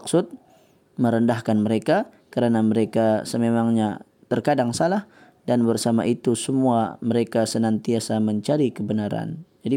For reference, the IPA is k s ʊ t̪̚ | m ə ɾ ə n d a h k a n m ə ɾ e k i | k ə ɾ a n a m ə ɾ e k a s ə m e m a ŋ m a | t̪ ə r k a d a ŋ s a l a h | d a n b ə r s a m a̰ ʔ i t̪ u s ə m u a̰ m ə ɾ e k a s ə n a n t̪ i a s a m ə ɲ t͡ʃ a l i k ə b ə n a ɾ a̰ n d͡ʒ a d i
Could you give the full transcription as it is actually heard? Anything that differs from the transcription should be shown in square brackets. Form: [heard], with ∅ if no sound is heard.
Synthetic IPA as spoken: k s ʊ t̪̚ | m ə ɾ ə n d a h k a n m ə ɾ e k [a] | k ə ɾ a n a m ə ɾ e k a s ə m e m a ŋ [ɲ] a | t̪ ə r k a d a ŋ s a l a h | d a n b ə r s a m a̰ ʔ i t̪ u s ə m u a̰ m ə ɾ e k a s ə n a n t̪ i a s a m ə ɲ t͡ʃ a [ɾ] i k ə b ə n a ɾ a̰ n d͡ʒ a d i